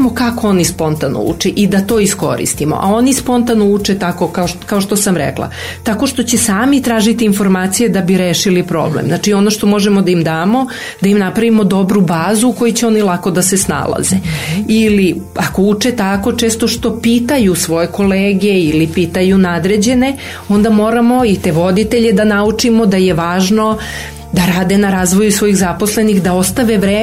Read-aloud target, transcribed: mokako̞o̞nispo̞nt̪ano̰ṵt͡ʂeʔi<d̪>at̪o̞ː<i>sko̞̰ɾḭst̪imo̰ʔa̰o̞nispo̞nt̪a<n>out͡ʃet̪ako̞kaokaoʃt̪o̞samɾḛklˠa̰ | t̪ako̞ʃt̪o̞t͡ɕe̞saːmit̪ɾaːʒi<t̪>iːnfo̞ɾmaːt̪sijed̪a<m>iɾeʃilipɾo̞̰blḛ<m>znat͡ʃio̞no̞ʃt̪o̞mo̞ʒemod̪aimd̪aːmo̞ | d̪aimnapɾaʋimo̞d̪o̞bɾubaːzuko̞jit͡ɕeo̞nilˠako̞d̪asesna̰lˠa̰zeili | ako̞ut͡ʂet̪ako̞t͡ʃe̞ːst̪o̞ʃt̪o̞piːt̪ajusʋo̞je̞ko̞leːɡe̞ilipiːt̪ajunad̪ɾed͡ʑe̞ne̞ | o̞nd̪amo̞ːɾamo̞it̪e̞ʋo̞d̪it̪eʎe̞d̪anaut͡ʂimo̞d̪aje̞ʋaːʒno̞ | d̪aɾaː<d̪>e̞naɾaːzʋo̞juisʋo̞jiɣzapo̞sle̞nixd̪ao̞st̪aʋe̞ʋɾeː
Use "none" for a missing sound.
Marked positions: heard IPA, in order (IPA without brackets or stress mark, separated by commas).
d̪, i, n, t̪, b, m, d̪